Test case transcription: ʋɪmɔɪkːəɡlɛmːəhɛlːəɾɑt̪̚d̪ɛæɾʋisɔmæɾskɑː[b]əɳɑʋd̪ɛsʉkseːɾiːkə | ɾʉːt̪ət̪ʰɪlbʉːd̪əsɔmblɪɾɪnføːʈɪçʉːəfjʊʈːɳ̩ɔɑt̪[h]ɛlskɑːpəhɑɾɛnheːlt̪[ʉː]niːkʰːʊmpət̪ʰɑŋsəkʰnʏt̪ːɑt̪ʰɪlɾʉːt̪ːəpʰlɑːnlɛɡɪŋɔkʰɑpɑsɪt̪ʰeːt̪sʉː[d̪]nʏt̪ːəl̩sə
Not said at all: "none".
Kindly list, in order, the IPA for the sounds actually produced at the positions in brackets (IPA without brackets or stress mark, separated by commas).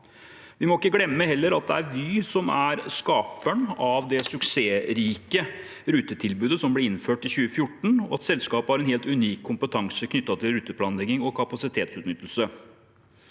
p, s, ʉ, t̪